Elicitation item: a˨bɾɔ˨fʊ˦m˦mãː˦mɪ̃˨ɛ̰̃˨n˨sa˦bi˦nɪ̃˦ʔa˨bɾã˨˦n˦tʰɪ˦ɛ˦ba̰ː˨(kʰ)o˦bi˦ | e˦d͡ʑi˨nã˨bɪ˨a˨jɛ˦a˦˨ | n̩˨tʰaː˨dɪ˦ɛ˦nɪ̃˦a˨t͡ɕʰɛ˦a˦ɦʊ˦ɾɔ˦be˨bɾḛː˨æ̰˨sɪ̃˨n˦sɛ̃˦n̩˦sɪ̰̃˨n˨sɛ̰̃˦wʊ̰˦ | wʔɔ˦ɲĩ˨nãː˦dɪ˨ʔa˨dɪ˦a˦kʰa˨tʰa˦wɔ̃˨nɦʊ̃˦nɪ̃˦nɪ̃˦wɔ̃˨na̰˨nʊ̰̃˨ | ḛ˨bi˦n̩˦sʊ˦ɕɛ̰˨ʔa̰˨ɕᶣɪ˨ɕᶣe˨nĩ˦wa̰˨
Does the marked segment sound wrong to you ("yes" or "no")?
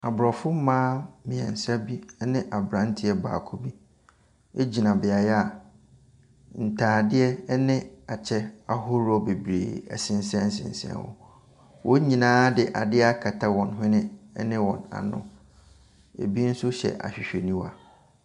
no